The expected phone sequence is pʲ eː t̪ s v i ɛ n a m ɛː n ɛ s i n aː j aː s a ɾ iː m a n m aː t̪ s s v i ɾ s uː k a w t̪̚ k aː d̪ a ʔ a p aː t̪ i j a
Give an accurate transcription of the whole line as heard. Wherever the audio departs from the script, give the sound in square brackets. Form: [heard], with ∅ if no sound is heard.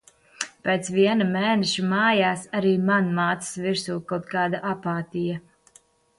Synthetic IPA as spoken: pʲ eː t̪ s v i ɛ n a m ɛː n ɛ [ʃ] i [m] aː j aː s a ɾ iː m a n m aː t̪ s s v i ɾ s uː k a w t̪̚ k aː d̪ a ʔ a p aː t̪ i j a